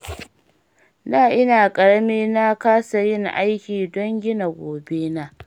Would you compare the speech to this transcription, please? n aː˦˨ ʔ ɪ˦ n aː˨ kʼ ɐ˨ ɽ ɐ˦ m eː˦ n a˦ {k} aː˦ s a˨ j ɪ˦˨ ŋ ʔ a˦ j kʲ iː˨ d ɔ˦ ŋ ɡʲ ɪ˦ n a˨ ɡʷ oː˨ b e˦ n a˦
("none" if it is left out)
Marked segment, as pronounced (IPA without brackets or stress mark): k